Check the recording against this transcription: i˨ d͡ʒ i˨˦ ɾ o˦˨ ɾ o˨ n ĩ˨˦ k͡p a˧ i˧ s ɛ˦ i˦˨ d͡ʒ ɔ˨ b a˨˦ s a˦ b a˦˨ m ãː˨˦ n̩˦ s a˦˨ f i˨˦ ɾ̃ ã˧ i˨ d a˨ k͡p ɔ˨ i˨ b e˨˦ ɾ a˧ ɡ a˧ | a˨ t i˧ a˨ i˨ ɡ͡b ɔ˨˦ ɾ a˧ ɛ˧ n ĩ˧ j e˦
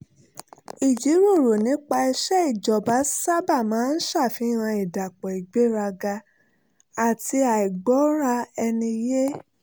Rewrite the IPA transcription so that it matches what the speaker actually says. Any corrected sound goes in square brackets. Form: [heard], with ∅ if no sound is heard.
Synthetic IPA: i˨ d͡ʒ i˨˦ ɾ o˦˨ ɾ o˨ n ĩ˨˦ k͡p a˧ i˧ [ʃ] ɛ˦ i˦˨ d͡ʒ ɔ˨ b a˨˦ s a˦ b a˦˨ m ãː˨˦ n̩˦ [ʃ] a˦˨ f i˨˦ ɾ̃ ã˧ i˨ d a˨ k͡p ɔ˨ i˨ [ɡ͡b] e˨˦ ɾ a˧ ɡ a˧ | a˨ t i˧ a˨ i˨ ɡ͡b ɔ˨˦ ɾ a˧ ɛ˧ n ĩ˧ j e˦